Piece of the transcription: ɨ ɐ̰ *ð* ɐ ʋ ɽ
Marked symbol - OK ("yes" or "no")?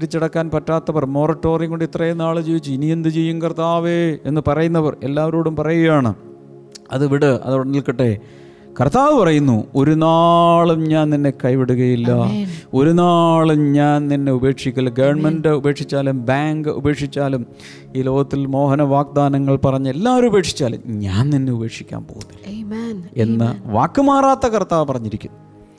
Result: yes